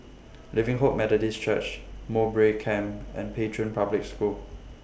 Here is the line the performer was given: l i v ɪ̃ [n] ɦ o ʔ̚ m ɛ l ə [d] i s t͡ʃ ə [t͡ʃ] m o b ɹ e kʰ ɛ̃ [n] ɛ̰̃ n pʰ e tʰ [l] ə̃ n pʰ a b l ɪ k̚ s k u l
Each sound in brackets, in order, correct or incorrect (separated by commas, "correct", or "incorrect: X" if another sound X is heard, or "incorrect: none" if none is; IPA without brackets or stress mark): incorrect: ŋ, correct, correct, incorrect: m, incorrect: ɹ